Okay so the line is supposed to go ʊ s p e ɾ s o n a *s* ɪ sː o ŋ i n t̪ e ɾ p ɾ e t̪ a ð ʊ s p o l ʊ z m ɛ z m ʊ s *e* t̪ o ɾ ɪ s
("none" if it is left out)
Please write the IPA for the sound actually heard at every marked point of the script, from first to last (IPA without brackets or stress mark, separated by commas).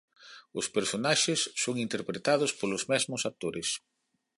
ʃ, a